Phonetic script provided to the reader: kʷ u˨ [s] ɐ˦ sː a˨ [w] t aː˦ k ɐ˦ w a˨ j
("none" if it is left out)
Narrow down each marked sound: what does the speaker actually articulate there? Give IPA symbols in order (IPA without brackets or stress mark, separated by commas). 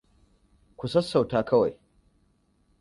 s, w